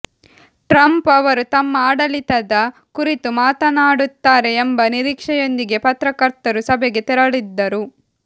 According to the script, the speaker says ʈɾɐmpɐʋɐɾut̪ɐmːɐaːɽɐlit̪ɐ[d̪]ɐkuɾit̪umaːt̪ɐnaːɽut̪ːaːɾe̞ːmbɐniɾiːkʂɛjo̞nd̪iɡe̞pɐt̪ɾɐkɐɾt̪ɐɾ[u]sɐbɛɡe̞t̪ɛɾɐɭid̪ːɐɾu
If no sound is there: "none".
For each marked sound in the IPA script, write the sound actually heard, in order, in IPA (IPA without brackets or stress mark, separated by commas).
d̪, u